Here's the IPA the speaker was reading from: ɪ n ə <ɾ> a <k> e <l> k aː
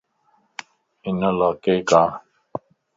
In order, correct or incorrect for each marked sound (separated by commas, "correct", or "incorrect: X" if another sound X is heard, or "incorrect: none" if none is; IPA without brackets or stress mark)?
incorrect: l, correct, incorrect: none